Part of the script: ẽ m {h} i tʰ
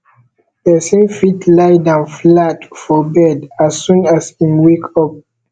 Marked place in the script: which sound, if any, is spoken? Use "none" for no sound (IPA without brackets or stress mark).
f